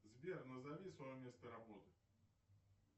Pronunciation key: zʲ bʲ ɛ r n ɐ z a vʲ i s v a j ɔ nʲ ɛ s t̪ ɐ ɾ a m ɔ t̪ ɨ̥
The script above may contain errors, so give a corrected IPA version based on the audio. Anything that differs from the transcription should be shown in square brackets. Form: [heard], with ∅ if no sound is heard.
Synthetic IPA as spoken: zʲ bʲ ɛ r n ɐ z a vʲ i s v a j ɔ [mʲ] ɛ s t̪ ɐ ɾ a [b] ɔ t̪ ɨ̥

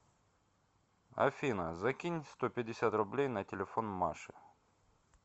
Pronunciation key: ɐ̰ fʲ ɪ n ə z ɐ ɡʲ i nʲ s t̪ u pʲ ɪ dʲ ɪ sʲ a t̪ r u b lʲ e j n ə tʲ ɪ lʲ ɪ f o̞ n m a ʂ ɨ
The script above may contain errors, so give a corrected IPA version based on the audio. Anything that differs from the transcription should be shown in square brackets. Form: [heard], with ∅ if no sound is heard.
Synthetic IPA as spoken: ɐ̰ fʲ [i] n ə z ɐ [kʲ] i nʲ s t̪ [o] pʲ ɪ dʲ ɪ sʲ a t̪ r [ʊ] b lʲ e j n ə tʲ ɪ lʲ ɪ f o̞ n m a ʂ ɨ

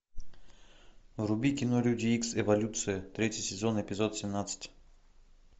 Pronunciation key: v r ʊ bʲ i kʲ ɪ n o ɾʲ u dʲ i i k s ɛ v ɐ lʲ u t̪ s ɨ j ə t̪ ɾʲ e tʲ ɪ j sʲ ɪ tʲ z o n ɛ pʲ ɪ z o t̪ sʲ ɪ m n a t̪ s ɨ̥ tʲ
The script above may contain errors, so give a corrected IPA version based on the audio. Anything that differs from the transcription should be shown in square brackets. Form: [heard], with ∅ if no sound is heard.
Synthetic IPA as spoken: v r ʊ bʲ i kʲ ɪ n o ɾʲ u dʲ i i k s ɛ v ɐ lʲ u t̪ s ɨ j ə t̪ ɾʲ e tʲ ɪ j sʲ ɪ [∅] z o n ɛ pʲ ɪ z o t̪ sʲ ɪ m n a t̪ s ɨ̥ tʲ

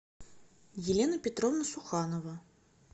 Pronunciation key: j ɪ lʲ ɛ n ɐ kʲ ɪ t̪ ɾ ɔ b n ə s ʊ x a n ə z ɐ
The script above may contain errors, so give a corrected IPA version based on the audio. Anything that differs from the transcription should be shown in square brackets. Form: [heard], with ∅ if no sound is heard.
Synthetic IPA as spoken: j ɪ lʲ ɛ n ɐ [pʲ] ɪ t̪ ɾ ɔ [v] n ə s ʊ x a n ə [v] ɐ

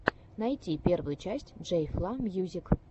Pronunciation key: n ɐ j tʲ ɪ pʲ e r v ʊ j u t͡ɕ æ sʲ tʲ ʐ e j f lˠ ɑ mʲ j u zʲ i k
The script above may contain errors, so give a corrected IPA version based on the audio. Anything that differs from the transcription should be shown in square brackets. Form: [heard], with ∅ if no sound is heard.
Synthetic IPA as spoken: n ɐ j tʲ [i] pʲ e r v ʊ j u t͡ɕ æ sʲ tʲ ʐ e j f lˠ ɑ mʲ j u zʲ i k

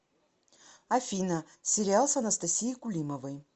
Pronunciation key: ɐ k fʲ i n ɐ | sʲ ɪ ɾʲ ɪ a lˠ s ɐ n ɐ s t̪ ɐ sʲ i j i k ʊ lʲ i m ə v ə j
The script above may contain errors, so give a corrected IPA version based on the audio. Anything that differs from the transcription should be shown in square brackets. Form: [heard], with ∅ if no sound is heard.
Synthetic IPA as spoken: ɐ [∅] fʲ i n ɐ | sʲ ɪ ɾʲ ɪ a lˠ s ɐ n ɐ s t̪ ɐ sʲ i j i k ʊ lʲ i m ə v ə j

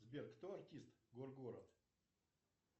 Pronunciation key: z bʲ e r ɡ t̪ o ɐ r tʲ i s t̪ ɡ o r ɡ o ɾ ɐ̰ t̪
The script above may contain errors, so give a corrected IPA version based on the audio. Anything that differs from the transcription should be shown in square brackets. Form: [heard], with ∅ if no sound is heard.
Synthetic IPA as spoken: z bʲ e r [k] t̪ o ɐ r tʲ i s t̪ ɡ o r ɡ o ɾ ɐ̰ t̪

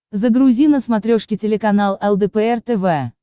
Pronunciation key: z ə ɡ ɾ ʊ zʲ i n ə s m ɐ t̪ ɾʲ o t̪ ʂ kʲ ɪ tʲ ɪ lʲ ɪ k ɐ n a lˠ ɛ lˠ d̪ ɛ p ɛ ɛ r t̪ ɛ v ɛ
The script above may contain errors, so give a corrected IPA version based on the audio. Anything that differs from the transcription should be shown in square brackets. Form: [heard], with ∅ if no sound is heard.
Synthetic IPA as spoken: z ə ɡ ɾ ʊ zʲ i n ə s m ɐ t̪ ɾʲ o [∅] ʂ kʲ ɪ tʲ ɪ lʲ ɪ k ɐ n a lˠ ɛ lˠ d̪ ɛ p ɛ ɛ r t̪ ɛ v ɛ

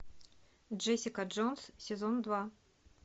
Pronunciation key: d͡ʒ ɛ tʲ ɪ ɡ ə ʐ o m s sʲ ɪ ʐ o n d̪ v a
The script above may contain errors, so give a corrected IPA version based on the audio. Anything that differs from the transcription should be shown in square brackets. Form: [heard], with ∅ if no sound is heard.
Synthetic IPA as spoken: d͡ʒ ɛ [sʲ] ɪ [k] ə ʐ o [n] s sʲ ɪ [z] o n d̪ v a

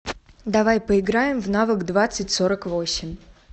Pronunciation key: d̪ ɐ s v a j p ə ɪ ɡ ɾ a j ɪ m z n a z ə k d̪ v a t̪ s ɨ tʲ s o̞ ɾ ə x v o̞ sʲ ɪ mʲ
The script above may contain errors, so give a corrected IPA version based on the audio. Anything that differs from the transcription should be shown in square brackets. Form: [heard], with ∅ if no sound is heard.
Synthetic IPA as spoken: d̪ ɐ [∅] v a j p ə ɪ ɡ ɾ a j ɪ m [v] n a [v] ə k d̪ v a t̪ s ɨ tʲ s o̞ ɾ ə [k] v o̞ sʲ ɪ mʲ

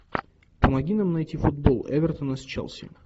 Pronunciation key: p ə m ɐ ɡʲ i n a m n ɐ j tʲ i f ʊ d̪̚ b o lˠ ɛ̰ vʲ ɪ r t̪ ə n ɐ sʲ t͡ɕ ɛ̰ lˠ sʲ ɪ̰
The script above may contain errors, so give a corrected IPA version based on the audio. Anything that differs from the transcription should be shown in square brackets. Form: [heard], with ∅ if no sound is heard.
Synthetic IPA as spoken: p ə m ɐ ɡʲ i n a m n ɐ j tʲ i f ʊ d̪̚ b o lˠ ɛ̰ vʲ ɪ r t̪ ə n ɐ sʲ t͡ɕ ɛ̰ lˠ sʲ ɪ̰

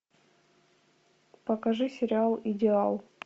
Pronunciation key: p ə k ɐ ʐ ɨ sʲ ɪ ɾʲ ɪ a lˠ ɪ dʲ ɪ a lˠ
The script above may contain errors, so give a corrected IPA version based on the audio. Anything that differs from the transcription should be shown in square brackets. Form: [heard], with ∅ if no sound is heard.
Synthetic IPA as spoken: p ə k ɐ ʐ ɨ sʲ ɪ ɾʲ ɪ a lˠ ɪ dʲ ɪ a lˠ

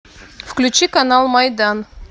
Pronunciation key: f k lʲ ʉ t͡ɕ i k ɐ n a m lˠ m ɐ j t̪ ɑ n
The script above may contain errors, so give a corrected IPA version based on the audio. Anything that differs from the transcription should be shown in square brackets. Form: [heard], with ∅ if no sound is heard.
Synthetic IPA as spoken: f k lʲ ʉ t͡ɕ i k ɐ n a [∅] lˠ m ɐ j [d̪] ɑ n

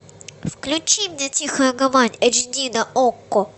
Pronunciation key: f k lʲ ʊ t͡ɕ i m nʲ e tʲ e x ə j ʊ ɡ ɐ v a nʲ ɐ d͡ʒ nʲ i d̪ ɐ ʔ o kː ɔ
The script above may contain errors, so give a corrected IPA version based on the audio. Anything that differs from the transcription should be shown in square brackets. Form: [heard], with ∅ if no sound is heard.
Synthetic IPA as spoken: f k lʲ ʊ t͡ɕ i m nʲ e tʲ [i] x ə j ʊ ɡ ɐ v a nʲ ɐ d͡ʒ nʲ i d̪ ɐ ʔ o kː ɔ

